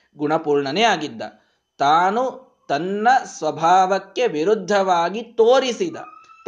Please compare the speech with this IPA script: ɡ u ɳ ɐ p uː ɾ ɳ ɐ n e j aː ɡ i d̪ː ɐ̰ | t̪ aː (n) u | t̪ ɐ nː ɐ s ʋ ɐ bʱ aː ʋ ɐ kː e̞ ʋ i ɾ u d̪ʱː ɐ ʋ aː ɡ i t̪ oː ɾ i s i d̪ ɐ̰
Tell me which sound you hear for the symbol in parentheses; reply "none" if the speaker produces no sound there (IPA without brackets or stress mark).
n